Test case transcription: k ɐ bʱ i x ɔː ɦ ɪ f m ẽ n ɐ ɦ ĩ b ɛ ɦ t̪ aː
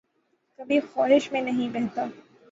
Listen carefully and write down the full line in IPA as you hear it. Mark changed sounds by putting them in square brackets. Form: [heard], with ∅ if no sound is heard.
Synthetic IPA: k ɐ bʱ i x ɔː ɦ ɪ [ʃ] m ẽ n ɐ ɦ ĩ b ɛ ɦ t̪ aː